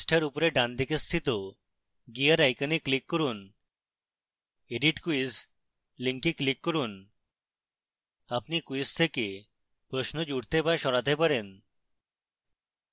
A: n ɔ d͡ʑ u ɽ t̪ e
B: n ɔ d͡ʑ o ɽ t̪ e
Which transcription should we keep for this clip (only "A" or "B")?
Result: A